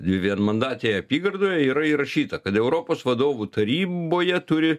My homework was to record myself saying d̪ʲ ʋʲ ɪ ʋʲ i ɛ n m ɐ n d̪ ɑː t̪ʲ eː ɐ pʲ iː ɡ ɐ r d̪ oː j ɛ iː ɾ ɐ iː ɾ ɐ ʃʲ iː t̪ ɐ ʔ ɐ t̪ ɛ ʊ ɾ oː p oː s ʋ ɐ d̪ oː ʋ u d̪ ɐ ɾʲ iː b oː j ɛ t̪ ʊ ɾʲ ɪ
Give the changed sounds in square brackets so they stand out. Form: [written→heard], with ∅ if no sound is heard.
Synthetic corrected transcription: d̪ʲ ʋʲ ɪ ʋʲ i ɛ n m ɐ n d̪ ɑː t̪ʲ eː ɐ pʲ iː ɡ ɐ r d̪ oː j ɛ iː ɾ ɐ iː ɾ ɐ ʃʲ iː t̪ ɐ [ʔ→k] ɐ t̪ ɛ ʊ ɾ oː p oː s ʋ ɐ d̪ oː ʋ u [d̪→t̪] ɐ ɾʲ iː b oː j ɛ t̪ ʊ ɾʲ ɪ